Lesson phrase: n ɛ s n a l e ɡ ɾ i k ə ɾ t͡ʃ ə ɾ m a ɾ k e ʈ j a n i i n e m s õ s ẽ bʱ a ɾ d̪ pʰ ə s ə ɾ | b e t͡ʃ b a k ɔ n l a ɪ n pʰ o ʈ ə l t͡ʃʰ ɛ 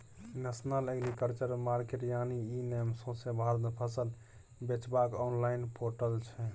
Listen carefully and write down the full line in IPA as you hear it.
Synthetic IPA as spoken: n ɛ s n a l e ɡ ɾ i k ə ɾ t͡ʃ ə ɾ m a ɾ k e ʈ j a n i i n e m s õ s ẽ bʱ a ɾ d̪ pʰ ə s ə l | b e t͡ʃ b a k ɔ n l a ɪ n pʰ o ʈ ə l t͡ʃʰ ɛ